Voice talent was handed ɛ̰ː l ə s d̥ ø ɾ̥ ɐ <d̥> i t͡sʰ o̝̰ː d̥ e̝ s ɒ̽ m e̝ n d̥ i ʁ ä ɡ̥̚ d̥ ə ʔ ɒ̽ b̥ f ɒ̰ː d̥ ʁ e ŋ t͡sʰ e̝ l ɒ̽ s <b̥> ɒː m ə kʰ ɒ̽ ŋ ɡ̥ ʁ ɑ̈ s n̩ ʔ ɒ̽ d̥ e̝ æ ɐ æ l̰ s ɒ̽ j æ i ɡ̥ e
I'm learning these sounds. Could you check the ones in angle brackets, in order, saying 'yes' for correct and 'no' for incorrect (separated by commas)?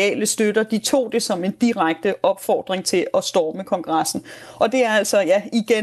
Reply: yes, no